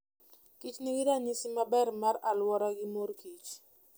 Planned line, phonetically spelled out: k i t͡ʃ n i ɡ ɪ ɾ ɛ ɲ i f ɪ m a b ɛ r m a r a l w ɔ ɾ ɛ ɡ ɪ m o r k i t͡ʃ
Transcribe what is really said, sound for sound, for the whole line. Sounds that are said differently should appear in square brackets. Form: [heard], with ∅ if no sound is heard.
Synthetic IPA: k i t͡ʃ n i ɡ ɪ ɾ [a] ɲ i [s] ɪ m a b ɛ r m a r a l w ɔ ɾ [a] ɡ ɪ m o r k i t͡ʃ